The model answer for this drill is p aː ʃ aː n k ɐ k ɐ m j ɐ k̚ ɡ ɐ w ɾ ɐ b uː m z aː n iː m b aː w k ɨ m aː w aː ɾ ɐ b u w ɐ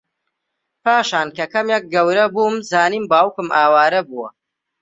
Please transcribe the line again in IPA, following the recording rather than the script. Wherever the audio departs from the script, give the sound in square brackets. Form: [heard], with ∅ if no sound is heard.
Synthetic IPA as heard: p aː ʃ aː n k ɐ k ɐ m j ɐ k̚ ɡ ɐ w ɾ ɐ b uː m z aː n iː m b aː w k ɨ m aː w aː ɾ ɐ b u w ɐ